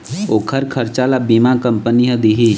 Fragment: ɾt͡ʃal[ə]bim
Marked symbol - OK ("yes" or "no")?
no